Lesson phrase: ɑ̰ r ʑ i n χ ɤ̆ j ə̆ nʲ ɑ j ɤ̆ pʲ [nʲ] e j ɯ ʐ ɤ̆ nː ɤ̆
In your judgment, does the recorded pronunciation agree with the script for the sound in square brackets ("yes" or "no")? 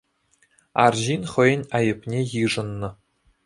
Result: yes